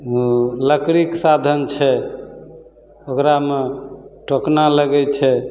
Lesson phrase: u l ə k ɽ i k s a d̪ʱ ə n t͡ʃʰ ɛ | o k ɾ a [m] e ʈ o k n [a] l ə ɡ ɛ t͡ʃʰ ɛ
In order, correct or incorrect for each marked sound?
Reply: correct, correct

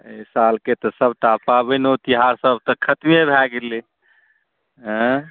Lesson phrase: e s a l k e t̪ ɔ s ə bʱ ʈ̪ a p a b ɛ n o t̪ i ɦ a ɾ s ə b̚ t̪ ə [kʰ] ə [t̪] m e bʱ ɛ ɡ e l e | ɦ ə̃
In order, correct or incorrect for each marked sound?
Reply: correct, correct

